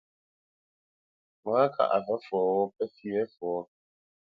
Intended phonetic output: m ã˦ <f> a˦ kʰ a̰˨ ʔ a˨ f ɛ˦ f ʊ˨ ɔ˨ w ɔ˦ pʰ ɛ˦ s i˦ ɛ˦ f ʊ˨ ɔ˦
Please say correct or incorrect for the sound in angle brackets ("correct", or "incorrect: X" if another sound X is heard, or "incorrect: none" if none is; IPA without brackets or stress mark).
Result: incorrect: none